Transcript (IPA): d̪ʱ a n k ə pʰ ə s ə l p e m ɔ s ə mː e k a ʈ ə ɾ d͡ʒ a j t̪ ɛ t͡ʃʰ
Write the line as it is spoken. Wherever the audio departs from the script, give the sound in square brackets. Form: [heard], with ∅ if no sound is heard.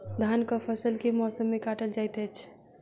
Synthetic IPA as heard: d̪ʱ a n k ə pʰ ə s ə l [k] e m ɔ s ə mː e k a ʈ ə [l] d͡ʒ a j t̪ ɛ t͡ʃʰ